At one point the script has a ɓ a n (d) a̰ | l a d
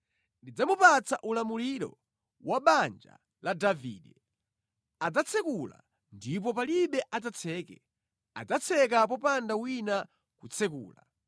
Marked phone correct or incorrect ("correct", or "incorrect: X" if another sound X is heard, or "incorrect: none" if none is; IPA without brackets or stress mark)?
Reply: incorrect: d͡ʒ